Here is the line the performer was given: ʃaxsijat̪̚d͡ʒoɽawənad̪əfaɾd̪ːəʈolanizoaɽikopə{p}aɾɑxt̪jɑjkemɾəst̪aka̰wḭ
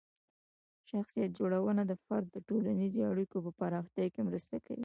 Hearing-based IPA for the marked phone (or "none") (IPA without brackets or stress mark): p